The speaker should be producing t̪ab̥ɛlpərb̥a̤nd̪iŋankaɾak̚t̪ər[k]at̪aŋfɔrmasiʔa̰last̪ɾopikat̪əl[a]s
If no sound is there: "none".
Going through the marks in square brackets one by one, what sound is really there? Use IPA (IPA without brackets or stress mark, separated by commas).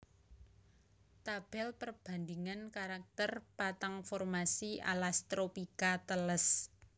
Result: p, ə